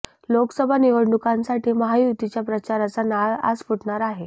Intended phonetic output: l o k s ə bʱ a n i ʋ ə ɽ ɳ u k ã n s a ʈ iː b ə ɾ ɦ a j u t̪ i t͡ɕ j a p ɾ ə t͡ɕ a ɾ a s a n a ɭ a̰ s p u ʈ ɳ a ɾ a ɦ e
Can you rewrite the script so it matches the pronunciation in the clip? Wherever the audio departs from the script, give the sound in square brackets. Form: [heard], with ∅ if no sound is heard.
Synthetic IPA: l o k s ə bʱ a n i ʋ ə ɽ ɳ u k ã n s a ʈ iː [m] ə [∅] ɦ a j u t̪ i t͡ɕ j a p ɾ ə t͡ɕ a ɾ a [t͡s] a n a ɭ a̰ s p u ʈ ɳ a ɾ a ɦ e